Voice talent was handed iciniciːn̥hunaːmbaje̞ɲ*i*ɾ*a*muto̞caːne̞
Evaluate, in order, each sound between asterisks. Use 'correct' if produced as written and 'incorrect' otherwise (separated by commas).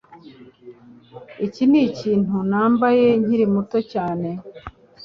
correct, incorrect